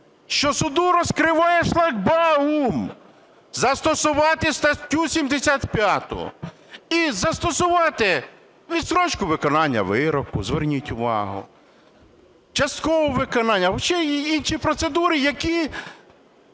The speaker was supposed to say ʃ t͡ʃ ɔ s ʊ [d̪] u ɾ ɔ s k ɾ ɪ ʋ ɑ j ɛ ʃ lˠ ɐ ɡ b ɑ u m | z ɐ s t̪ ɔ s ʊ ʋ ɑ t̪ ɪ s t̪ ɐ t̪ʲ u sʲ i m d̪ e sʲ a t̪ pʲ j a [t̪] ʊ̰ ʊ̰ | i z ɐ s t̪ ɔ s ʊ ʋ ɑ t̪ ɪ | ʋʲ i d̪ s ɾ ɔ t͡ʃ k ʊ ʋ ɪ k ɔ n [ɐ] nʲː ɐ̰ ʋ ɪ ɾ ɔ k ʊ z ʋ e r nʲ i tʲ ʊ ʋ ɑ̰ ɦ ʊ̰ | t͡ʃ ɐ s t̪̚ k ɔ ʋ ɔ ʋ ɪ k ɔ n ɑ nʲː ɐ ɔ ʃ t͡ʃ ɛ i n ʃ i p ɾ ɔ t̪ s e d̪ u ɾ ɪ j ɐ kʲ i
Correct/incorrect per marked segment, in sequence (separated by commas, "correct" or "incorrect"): correct, correct, incorrect